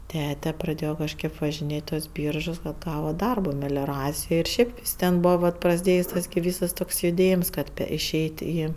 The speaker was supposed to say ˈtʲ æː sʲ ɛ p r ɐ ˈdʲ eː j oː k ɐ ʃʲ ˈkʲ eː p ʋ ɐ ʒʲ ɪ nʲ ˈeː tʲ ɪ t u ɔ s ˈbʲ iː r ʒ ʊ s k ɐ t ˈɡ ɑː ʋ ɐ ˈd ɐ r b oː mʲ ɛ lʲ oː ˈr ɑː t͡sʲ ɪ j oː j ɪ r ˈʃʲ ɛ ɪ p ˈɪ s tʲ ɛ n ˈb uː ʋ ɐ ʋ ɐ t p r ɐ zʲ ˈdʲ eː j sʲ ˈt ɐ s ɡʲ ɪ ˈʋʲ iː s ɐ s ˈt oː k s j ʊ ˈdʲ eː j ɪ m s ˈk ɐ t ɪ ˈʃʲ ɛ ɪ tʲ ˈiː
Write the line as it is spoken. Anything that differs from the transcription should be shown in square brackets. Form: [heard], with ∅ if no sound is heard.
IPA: ˈtʲ æː [tʲ] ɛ p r ɐ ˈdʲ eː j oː k ɐ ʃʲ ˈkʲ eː p ʋ ɐ ʒʲ ɪ nʲ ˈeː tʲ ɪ t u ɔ s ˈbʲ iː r ʒ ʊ s k ɐ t ˈɡ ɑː ʋ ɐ ˈd ɐ r b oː mʲ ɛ lʲ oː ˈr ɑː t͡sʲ ɪ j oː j ɪ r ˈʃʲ ɛ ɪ p ˈɪ s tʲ ɛ n ˈb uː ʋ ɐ ʋ ɐ t p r ɐ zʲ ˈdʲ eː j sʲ ˈt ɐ s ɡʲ ɪ ˈʋʲ iː s ɐ s ˈt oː k s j ʊ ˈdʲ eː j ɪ m s ˈk ɐ t ɪ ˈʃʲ ɛ ɪ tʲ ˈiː